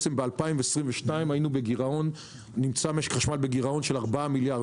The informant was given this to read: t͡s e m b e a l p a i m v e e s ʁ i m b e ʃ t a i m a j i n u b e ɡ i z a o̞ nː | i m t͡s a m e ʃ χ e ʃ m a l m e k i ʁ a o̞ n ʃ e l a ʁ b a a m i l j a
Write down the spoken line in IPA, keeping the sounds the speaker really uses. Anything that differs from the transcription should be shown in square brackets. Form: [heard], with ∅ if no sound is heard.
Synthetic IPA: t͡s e m b e a l p a i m v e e s ʁ i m [v] e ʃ t a i m a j i n u b e ɡ i [ʁ] a o̞ nː | i m t͡s a m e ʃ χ [a] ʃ m a l [b] e [ɡ] i ʁ a o̞ n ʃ e l a ʁ b a a m i l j a